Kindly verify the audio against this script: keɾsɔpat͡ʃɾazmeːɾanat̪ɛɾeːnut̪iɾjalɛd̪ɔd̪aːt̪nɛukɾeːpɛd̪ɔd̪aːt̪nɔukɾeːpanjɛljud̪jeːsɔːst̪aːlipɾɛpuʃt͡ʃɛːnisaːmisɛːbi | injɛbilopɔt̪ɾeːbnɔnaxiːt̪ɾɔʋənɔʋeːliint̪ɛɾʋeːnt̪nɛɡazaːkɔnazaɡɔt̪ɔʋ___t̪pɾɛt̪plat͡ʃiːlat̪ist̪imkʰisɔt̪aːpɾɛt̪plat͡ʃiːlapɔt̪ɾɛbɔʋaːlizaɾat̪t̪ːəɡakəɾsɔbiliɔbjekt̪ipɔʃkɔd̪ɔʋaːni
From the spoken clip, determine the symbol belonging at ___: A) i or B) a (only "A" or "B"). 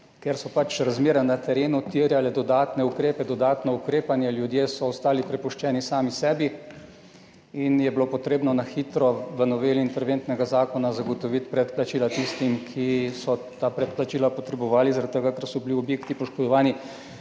A